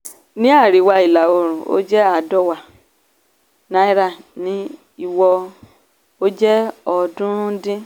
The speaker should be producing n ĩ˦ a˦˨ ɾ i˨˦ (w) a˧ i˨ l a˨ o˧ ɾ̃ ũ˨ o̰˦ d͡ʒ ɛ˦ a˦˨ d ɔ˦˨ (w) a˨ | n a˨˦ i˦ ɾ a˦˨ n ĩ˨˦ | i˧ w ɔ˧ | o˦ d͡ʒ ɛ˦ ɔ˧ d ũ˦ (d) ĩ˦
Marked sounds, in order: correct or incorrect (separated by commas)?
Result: correct, correct, correct